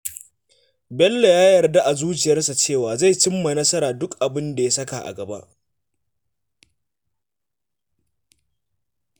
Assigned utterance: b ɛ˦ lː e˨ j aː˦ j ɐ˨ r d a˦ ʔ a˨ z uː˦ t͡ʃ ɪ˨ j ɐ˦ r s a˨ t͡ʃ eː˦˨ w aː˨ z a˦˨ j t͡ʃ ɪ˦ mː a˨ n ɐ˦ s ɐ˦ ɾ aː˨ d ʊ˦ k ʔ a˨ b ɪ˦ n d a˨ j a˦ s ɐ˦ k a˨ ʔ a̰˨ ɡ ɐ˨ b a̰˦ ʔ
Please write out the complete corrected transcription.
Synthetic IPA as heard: b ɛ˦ lː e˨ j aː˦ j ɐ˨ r d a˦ ʔ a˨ z uː˦ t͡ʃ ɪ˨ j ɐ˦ r s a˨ t͡ʃ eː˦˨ w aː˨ z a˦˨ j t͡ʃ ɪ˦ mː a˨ n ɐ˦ s ɐ˦ ɾ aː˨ d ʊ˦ k ʔ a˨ b ɪ˦ n d a˨ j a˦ s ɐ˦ k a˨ ʔ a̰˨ ɡ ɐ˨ b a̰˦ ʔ